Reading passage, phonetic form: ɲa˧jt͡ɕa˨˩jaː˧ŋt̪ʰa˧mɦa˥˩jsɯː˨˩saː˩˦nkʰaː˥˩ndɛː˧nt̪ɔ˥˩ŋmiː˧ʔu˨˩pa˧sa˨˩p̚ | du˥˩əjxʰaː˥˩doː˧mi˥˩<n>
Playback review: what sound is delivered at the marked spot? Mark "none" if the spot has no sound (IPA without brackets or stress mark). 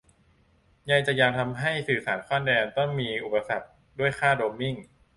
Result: ŋ